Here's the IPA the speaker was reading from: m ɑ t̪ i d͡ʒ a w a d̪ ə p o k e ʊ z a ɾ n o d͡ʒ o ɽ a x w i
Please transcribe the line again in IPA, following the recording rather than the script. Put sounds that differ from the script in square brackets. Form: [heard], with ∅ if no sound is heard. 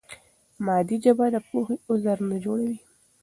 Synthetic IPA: m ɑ [d̪] i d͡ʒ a [b] a d̪ ə p o [x] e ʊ z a ɾ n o d͡ʒ o ɽ a [∅] w i